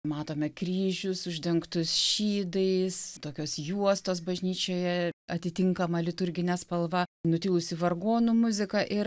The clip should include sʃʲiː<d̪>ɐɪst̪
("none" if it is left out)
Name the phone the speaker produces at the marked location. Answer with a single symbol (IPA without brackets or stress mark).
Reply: d̪